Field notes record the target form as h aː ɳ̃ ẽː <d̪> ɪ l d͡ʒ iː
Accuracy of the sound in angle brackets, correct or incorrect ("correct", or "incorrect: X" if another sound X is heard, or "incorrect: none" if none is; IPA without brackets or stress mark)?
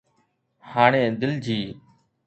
correct